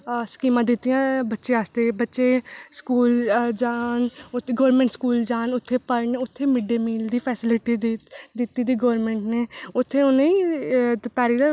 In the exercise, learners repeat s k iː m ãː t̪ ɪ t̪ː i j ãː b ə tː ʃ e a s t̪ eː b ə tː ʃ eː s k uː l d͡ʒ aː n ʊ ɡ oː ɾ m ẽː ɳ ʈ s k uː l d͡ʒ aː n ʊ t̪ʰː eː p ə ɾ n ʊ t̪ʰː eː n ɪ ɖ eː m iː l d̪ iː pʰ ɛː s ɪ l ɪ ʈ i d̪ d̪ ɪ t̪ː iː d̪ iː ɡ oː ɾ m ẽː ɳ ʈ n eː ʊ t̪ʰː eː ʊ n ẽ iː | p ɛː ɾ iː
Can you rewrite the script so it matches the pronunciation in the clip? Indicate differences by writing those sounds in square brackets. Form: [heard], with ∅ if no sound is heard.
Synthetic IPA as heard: s k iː m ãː [d̪] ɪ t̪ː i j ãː b ə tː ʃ e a s t̪ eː b ə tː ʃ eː s k uː l d͡ʒ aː n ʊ ɡ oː ɾ m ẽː ɳ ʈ s k uː l d͡ʒ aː n ʊ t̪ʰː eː p ə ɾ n ʊ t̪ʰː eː [m] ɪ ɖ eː m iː l d̪ iː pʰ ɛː s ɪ l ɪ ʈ i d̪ d̪ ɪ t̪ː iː d̪ iː ɡ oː ɾ m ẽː ɳ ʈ n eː ʊ t̪ʰː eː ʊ n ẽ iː | p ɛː ɾ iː